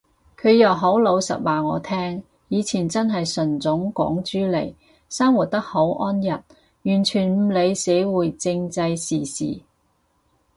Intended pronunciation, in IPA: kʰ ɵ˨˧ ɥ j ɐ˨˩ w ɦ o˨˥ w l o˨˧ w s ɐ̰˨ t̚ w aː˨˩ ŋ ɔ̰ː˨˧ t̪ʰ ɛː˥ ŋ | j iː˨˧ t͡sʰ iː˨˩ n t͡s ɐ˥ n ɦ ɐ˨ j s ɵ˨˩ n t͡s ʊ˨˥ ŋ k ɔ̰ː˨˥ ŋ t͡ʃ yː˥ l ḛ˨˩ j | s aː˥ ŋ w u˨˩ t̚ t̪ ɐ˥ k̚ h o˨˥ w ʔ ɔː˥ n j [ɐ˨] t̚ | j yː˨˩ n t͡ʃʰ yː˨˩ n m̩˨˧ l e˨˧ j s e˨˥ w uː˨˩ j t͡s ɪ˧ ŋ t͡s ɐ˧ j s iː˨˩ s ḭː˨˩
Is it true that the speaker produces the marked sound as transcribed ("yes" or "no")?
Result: yes